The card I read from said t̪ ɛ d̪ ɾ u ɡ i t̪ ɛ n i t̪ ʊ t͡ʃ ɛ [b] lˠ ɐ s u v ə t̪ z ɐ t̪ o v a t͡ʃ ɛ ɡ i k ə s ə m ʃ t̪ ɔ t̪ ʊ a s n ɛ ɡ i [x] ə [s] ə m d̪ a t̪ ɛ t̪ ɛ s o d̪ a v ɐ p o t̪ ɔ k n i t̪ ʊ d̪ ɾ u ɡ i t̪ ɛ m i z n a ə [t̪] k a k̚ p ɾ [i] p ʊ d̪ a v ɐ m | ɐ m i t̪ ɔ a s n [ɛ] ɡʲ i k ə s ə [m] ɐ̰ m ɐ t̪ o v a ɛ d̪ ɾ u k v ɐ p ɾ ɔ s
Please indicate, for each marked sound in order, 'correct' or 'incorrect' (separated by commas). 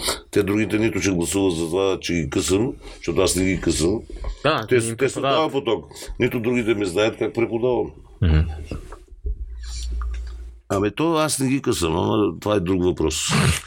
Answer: incorrect, incorrect, correct, correct, incorrect, correct, correct